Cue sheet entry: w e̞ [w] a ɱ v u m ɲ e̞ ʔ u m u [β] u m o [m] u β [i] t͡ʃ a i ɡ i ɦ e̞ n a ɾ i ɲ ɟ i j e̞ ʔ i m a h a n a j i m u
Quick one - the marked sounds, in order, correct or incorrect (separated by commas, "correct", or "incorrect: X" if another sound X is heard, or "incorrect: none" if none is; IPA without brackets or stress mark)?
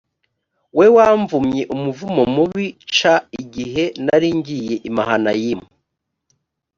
correct, incorrect: v, correct, correct